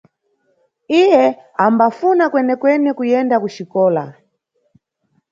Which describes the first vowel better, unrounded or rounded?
unrounded